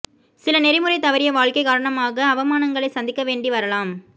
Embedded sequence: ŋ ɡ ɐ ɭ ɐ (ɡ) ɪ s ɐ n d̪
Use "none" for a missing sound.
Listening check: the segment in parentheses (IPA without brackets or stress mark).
none